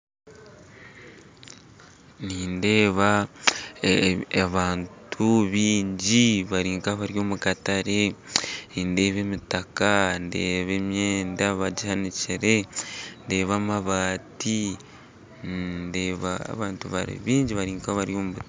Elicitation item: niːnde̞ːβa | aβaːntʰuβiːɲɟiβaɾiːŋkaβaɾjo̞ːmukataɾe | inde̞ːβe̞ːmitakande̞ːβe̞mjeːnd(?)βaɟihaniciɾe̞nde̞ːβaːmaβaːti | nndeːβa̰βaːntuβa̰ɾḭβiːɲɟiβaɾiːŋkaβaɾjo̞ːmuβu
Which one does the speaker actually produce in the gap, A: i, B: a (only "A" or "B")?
B